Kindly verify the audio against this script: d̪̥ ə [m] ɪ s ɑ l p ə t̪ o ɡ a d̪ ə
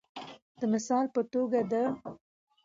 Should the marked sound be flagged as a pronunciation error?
no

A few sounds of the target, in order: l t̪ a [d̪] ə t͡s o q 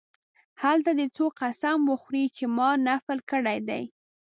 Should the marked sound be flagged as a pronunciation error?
no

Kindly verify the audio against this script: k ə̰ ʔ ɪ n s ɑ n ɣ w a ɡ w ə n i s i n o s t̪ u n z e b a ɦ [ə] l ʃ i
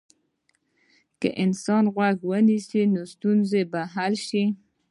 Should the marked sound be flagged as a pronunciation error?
yes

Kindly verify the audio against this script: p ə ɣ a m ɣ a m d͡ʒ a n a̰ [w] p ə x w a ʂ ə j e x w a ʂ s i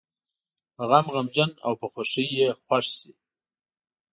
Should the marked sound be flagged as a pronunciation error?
no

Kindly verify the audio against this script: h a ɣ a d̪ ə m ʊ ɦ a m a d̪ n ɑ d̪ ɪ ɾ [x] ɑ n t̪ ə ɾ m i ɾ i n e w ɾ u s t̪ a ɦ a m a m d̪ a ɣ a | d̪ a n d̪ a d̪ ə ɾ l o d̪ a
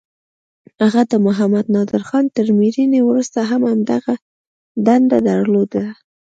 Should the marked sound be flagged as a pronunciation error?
no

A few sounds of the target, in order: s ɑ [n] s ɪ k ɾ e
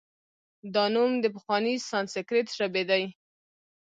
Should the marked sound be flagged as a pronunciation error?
no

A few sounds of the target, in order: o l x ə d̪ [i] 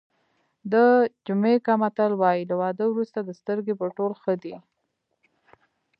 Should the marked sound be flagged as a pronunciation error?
no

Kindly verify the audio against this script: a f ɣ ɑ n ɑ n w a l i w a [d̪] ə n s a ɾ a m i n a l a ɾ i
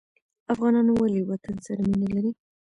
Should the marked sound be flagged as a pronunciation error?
yes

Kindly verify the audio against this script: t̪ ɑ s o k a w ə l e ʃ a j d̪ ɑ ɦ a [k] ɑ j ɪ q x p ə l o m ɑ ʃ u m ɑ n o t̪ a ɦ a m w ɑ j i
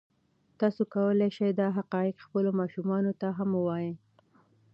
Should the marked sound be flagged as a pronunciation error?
yes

